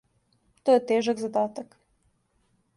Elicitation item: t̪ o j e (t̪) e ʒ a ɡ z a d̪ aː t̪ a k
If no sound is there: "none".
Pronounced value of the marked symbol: t̪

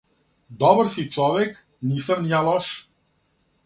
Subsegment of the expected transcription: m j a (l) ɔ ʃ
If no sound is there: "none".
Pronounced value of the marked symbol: l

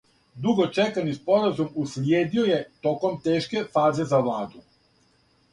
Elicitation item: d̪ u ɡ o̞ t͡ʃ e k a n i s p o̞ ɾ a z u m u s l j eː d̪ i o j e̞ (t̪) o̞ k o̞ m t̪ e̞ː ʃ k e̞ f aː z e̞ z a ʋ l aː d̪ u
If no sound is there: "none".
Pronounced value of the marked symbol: t̪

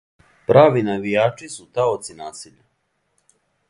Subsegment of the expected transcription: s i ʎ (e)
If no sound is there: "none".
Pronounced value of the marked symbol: a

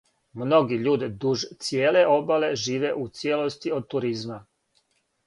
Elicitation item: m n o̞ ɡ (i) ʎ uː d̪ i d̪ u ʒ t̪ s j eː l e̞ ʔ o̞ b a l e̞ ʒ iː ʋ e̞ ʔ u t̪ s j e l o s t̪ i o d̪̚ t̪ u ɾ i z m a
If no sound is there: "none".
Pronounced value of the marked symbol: i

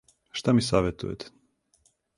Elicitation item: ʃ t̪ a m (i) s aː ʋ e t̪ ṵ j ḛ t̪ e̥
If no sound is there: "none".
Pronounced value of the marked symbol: i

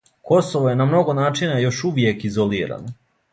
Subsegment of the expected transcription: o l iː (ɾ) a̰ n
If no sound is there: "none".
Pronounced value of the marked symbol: ɾ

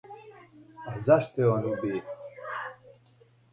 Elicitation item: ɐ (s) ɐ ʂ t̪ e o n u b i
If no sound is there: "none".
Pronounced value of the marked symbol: z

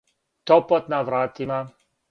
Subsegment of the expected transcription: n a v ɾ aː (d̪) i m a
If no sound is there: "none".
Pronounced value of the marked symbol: t̪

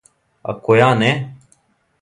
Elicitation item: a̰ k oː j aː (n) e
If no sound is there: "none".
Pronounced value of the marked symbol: n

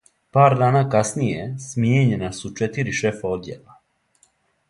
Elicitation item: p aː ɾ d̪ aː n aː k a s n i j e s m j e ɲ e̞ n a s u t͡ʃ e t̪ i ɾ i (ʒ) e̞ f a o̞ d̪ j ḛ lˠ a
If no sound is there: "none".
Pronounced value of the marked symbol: ʃ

